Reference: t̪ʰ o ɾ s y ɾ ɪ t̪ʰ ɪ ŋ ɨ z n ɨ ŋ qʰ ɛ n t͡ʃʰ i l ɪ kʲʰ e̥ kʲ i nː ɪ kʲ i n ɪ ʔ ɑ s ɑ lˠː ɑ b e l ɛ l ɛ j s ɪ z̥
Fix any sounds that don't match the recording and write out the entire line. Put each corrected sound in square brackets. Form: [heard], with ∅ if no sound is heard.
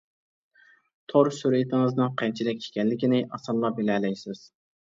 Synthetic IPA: t̪ʰ o ɾ s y ɾ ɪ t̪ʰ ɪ ŋ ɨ z n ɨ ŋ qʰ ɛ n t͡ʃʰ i l ɪ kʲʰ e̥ kʲ [ɛ] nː ɪ kʲ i n ɪ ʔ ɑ s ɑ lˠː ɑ b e l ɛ l ɛ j s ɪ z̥